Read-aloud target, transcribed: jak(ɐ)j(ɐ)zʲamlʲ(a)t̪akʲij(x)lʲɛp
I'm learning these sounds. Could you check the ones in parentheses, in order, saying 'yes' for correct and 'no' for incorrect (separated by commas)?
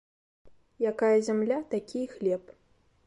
no, yes, yes, yes